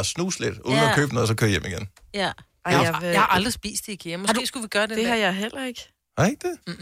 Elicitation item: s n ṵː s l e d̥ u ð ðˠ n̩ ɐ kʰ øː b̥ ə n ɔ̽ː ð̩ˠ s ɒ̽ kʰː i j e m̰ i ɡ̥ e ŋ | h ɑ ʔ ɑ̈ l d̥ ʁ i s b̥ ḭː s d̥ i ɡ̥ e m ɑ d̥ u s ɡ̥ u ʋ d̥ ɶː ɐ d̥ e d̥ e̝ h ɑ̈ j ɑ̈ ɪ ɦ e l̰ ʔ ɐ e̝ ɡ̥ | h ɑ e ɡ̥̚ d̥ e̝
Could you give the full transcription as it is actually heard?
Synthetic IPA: s n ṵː s l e d̥ u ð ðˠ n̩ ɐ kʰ øː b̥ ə n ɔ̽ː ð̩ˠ s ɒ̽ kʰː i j e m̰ i ɡ̥ e n | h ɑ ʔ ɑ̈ l d̥ ʁ i s b̥ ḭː s d̥ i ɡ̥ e m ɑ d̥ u s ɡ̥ u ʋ ɡ̥ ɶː ɐ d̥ e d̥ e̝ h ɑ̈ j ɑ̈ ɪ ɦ e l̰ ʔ ɐ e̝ ɡ̥ | h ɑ e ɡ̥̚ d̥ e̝